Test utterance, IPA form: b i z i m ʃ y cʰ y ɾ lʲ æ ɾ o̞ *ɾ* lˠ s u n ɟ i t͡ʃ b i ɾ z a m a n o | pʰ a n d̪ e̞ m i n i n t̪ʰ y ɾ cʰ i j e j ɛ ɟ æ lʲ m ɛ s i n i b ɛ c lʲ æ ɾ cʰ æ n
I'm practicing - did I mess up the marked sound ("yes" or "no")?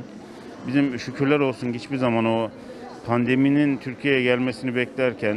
yes